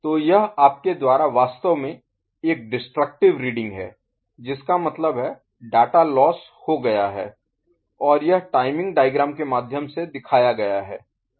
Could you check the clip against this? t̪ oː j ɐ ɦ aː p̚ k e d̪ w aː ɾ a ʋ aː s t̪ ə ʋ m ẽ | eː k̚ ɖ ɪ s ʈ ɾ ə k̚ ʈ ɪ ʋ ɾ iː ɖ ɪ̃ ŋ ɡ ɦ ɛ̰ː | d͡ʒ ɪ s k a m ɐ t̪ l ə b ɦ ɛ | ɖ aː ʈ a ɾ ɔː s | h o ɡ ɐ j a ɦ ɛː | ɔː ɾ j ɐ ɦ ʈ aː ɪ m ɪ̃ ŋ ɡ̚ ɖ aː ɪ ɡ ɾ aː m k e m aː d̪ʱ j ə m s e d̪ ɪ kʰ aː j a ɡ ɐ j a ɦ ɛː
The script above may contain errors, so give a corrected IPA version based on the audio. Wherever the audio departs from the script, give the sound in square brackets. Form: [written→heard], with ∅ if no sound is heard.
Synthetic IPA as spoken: t̪ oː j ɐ ɦ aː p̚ k e d̪ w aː ɾ a ʋ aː s t̪ ə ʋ m ẽ | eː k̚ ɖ ɪ s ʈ ɾ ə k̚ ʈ ɪ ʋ ɾ iː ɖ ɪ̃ ŋ ɡ ɦ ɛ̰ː | d͡ʒ ɪ s k a m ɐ t̪ l ə b ɦ ɛ | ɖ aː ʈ a [ɾ→l] ɔː s | h o ɡ ɐ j a ɦ ɛː | ɔː ɾ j ɐ ɦ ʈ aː ɪ m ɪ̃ ŋ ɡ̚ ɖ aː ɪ ɡ ɾ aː m k e m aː d̪ʱ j ə m s e d̪ ɪ kʰ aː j a ɡ ɐ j a ɦ ɛː